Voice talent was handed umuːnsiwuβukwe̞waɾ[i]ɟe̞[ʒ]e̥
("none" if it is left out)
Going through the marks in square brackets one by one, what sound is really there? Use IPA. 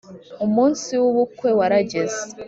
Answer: a, z

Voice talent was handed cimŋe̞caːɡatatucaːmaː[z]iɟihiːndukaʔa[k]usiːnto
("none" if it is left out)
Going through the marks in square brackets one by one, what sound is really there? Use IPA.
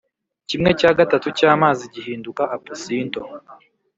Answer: z, p

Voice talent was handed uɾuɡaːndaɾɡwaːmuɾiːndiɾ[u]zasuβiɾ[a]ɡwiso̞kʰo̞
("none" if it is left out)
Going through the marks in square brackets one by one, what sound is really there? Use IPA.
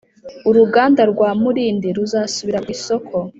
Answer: u, a

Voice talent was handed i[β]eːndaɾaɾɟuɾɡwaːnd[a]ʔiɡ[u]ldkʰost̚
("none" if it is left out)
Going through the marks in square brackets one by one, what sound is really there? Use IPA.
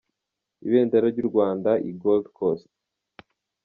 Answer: β, a, o

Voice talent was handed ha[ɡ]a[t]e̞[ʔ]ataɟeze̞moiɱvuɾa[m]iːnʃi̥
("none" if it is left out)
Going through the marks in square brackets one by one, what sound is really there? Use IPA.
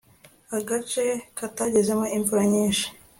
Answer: ɡ, t͡ʃ, k, ɲ

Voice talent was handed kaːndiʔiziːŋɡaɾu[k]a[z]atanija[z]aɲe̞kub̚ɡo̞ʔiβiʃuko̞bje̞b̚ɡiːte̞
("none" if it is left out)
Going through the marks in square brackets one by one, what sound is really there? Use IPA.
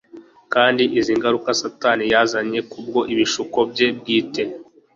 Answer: k, s, z

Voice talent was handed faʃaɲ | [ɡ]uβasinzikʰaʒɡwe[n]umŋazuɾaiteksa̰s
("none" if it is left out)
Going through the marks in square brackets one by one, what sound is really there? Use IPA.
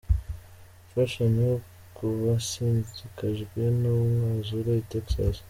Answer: k, n

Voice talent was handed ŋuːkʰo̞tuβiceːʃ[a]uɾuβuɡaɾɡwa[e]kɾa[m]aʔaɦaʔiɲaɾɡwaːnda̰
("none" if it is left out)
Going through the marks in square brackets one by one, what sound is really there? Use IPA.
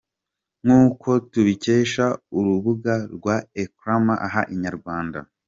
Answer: a, e, m

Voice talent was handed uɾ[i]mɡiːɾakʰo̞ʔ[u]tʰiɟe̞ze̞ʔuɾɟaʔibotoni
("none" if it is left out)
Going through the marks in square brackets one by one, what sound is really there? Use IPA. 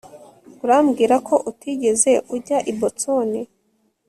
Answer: a, u

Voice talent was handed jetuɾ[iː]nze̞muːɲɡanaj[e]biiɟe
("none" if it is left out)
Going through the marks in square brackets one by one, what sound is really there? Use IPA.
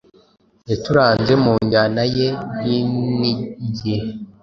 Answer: aː, e

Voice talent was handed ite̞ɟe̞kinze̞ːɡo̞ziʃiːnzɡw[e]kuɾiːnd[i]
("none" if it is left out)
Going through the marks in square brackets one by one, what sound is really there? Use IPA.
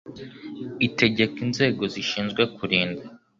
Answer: e, a

